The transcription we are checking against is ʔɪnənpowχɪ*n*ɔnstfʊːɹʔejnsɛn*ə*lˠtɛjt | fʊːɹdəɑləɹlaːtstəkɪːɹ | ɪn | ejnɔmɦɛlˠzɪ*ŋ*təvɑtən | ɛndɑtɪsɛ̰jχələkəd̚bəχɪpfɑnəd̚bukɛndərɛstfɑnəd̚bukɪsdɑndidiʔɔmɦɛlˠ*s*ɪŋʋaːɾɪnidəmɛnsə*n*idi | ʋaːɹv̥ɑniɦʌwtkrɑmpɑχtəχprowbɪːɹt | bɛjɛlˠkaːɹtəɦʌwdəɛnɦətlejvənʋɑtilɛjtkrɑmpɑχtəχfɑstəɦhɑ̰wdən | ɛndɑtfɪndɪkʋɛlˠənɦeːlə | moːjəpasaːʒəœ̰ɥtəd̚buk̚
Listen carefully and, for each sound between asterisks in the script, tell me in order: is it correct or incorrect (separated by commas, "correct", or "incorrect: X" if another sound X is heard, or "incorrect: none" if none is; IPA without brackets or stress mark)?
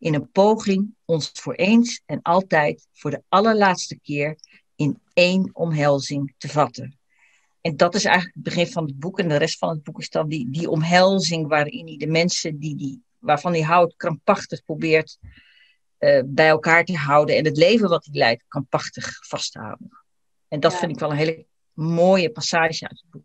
incorrect: ŋ, incorrect: ɑ, correct, incorrect: z, incorrect: d